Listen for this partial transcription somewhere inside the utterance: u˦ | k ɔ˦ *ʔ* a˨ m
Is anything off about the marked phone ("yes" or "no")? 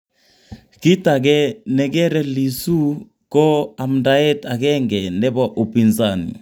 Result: yes